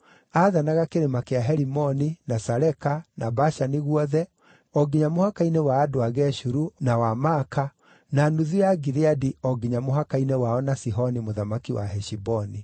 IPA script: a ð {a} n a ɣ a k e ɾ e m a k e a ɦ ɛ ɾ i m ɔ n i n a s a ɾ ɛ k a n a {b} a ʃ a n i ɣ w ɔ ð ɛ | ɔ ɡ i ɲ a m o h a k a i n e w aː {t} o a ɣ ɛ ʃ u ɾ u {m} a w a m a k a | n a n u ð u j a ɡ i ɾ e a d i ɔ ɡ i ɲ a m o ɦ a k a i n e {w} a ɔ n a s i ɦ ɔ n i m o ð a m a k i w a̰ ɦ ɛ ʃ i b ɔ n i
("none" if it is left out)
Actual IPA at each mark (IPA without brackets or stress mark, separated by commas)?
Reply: a, b, d, n, w